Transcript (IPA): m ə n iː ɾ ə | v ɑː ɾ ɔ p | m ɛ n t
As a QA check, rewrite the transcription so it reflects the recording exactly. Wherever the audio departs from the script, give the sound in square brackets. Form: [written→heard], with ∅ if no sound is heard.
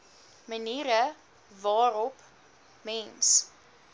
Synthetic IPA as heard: m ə n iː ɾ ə | v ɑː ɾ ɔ p | m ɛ n [t→s]